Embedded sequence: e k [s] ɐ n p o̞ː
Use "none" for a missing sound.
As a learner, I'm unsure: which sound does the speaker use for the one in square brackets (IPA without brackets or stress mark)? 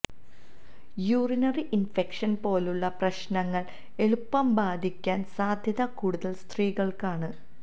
ʂ